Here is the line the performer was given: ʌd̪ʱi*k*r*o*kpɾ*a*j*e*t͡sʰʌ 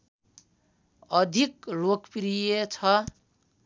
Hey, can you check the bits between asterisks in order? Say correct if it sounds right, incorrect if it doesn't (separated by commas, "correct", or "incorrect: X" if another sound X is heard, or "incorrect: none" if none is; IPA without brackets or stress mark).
correct, correct, incorrect: i, correct